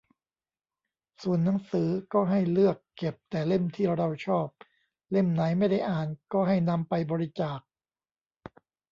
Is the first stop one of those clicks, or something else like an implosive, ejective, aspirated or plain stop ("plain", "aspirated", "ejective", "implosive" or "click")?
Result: plain